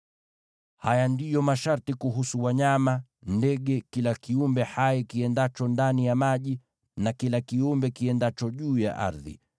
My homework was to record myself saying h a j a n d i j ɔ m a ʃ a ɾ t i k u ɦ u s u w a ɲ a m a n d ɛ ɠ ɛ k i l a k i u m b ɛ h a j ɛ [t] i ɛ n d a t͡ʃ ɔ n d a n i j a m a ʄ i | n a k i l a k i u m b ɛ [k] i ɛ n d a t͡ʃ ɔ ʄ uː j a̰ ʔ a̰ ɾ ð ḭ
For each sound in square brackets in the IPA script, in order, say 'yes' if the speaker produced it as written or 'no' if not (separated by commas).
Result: no, yes